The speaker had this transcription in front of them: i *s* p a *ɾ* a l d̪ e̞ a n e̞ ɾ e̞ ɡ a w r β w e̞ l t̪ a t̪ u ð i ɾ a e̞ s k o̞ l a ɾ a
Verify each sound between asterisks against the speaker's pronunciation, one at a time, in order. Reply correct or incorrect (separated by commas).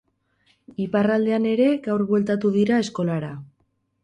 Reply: incorrect, incorrect